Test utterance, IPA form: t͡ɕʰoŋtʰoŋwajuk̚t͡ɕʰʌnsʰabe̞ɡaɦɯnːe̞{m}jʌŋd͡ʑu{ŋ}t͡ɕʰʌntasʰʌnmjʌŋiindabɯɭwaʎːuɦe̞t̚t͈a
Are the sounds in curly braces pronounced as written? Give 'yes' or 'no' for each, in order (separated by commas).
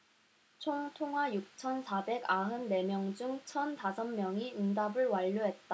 yes, yes